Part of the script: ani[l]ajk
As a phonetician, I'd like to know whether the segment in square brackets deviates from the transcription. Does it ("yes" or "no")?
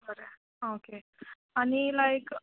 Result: no